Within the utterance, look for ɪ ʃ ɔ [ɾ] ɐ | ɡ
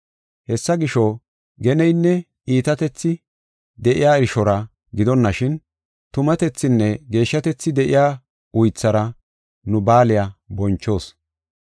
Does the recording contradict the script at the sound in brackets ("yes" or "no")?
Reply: no